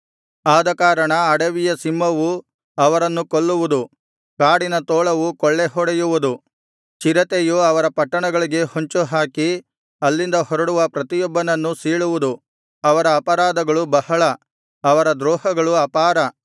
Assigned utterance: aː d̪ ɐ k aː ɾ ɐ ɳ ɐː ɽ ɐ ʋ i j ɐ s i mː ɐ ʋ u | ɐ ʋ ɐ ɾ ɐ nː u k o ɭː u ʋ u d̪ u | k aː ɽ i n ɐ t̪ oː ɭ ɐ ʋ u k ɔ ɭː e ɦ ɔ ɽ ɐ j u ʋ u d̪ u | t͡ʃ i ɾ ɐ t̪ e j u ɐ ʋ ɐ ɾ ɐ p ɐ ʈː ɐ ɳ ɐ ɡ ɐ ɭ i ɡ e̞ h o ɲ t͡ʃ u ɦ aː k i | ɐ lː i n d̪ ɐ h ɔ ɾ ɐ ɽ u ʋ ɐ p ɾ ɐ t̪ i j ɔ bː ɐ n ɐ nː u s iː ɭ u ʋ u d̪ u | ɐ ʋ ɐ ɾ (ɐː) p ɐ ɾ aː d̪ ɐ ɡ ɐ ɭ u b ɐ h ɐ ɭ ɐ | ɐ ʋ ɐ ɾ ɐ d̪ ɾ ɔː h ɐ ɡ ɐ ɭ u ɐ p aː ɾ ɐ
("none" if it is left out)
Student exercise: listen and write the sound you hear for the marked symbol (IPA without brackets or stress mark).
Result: ɐː